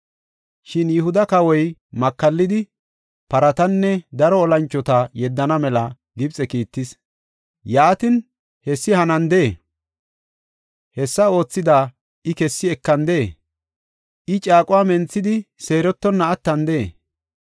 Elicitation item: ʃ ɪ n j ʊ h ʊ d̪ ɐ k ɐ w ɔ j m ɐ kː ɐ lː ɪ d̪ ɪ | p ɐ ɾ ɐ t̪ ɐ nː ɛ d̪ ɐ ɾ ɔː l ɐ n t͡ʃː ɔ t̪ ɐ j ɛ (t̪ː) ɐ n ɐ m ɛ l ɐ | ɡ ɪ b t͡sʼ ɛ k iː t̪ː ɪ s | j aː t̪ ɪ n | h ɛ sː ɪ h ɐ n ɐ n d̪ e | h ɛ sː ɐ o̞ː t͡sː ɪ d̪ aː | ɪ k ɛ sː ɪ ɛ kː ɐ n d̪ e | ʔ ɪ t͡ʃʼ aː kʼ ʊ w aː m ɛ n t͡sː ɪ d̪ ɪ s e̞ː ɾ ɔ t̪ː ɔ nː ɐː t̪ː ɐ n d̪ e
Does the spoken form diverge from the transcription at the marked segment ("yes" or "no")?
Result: yes